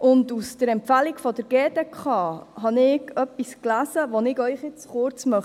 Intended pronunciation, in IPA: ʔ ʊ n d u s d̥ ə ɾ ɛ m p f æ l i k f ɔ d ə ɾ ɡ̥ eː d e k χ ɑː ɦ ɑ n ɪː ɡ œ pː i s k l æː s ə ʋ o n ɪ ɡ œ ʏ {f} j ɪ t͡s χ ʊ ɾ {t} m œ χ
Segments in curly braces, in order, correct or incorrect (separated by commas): incorrect, incorrect